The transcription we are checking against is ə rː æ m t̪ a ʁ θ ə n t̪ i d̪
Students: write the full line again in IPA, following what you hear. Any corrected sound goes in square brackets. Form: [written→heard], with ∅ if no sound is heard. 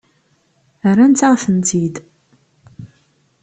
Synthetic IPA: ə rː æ [m→n] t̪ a ʁ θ ə n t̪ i d̪